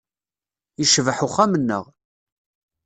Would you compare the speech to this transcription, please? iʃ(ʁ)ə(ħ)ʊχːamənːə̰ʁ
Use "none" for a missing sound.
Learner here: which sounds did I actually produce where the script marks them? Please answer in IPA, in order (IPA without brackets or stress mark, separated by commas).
v, ħ